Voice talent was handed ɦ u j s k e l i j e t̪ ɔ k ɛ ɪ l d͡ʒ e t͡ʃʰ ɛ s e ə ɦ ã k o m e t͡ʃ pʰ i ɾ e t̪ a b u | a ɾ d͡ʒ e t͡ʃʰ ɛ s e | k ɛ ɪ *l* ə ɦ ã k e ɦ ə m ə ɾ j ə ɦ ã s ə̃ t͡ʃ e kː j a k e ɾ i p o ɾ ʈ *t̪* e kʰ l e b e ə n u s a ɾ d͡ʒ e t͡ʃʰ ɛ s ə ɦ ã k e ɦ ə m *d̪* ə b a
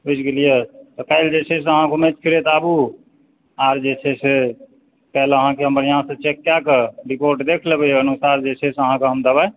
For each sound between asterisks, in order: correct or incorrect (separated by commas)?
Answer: correct, incorrect, correct